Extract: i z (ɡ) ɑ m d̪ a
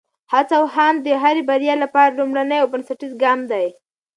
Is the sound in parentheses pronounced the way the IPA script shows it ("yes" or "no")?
yes